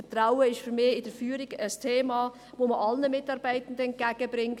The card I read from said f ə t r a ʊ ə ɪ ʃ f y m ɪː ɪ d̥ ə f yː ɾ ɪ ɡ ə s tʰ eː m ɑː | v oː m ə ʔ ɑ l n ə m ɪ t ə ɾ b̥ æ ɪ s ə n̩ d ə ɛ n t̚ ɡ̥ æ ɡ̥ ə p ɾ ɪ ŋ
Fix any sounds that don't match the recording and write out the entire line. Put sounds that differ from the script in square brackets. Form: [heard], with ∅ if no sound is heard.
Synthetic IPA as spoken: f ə t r a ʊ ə ɪ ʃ f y m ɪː ɪ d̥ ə f yː ɾ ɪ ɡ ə s tʰ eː m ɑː | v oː m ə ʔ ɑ l n ə m ɪ t [ɑ] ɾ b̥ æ ɪ [t] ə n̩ d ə ɛ n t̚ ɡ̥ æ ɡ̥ ə [b] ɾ ɪ ŋ